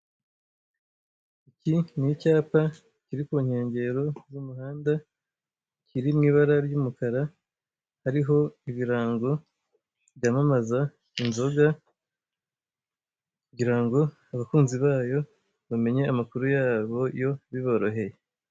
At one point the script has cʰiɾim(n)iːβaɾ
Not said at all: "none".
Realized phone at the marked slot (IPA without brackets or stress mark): ŋ